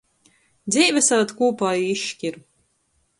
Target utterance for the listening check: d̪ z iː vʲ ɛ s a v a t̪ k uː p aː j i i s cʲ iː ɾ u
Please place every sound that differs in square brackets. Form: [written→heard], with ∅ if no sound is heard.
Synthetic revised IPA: d̪ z iː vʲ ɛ s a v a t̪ k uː p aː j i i [s→ʃ] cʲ [iː→i] ɾ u